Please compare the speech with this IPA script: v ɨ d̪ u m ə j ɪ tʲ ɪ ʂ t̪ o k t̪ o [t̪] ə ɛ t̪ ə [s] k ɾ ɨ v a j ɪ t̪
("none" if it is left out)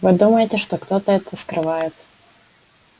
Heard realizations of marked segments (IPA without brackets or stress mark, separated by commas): t̪, s